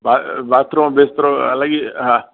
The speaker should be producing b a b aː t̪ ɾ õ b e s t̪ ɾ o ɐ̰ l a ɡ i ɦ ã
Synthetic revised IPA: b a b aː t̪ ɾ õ b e s t̪ ɾ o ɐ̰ l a ɡ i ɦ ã